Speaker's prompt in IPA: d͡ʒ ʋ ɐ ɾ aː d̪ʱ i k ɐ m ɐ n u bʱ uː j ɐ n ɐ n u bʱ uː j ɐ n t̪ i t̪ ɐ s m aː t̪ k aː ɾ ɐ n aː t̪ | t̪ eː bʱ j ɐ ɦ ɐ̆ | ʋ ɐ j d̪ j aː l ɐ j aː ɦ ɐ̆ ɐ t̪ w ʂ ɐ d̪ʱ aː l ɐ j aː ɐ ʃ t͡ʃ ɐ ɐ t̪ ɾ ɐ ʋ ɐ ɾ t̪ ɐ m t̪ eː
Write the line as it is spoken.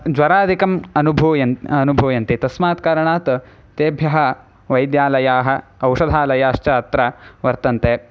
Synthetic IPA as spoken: d͡ʒ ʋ ɐ ɾ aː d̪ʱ i k ɐ m ɐ n u bʱ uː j ɐ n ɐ n u bʱ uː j ɐ n t̪ i t̪ ɐ s m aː t̪ k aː ɾ ɐ ɳ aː t̪ | t̪ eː bʱ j ɐ ɦ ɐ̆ | ʋ ɐ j d̪ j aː l ɐ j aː ɦ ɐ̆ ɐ w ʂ ɐ d̪ʱ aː l ɐ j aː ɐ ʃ t͡ʃ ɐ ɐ t̪ ɾ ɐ ʋ ɐ ɾ t̪ ɐ n t̪ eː